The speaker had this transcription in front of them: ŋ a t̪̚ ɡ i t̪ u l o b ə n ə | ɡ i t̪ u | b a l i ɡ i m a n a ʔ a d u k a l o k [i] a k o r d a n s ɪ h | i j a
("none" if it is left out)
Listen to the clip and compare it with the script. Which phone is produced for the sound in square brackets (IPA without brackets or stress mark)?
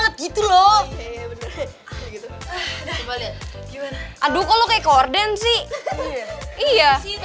a